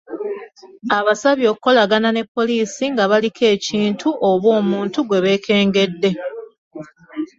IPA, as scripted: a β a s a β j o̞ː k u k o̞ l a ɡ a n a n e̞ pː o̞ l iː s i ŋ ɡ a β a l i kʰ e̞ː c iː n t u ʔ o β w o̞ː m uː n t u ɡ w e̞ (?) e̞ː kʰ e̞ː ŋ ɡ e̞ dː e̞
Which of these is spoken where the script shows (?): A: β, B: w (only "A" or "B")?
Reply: A